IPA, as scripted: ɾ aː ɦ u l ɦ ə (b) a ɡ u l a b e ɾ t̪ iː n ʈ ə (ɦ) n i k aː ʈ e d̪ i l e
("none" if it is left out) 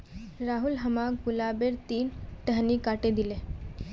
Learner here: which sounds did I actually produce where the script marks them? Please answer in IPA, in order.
m, ɦ

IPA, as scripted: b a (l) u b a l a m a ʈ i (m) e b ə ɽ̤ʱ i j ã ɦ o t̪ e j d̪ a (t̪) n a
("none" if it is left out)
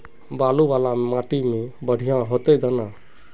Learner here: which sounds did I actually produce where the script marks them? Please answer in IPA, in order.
l, m, none

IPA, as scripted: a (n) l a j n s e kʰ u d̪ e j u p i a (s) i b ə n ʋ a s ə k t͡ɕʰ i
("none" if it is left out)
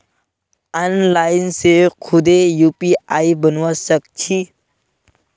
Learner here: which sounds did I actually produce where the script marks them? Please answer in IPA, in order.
n, none

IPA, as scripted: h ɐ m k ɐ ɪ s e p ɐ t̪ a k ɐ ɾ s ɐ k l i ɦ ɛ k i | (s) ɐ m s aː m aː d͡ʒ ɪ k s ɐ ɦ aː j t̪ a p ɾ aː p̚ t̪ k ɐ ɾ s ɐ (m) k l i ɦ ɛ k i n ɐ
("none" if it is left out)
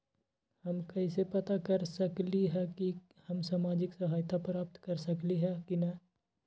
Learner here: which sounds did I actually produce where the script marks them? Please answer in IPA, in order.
h, none

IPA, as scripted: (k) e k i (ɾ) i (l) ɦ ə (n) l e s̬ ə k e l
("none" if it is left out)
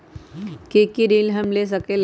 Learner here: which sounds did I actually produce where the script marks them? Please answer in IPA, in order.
k, ɾ, l, m

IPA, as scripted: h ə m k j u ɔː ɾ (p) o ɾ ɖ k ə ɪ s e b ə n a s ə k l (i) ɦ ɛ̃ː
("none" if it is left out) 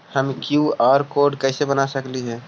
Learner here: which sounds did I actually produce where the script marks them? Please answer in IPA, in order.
k, i

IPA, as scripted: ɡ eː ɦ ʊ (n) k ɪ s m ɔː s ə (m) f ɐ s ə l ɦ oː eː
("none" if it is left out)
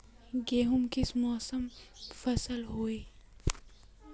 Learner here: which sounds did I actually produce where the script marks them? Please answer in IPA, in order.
m, m

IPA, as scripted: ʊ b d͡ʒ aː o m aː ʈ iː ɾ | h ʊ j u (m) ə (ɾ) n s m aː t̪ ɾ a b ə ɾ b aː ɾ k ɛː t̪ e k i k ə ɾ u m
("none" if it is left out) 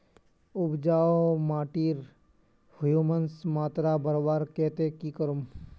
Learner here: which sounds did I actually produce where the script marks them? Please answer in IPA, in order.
m, none

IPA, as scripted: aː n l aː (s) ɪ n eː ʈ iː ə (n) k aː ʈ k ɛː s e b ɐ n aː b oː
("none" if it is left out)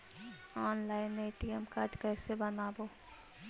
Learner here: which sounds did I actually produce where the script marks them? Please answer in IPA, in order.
none, m

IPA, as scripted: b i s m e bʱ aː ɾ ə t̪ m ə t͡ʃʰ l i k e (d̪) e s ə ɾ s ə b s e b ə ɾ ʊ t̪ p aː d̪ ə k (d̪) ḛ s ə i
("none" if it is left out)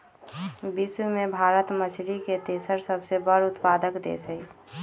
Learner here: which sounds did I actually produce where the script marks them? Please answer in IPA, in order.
t̪, d̪

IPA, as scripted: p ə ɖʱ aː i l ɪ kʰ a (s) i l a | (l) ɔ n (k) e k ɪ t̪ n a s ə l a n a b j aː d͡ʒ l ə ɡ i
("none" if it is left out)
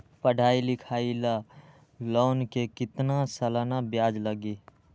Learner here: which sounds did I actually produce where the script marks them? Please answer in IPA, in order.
none, l, k

